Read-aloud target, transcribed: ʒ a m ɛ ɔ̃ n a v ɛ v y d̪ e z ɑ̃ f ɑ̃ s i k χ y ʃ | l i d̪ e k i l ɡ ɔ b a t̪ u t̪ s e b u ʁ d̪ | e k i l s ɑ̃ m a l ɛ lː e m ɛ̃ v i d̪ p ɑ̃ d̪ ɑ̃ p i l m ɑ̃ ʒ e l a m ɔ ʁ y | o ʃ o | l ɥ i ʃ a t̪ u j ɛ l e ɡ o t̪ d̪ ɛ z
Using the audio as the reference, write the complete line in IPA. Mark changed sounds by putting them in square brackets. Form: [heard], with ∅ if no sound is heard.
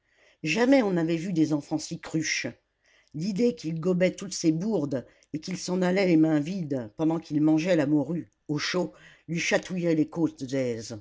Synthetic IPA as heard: ʒ a m ɛ ɔ̃ n a v ɛ v y d̪ e z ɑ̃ f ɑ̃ s i k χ y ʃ | l i d̪ e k i l ɡ ɔ b [ɛ] t̪ u t̪ s e b u ʁ d̪ | e k i l s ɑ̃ [n] a l ɛ [l] e m ɛ̃ v i d̪ p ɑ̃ d̪ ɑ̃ [k] i l m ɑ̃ ʒ [ɛ] l a m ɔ ʁ y | o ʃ o | l ɥ i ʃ a t̪ u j ɛ l e [k] o t̪ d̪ ɛ z